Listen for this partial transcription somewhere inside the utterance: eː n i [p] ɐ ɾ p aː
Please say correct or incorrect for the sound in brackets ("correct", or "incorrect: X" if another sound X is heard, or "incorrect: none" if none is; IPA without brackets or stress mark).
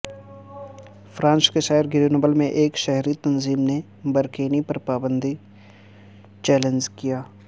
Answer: correct